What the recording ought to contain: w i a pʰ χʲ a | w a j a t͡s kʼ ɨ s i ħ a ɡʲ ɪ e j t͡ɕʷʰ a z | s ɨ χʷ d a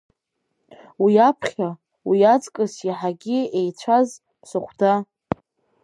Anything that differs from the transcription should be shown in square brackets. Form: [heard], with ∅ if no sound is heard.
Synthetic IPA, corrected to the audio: w i a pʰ χʲ a | w [i] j a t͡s kʼ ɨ s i ħ a ɡʲ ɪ e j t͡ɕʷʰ a z | s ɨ χʷ d a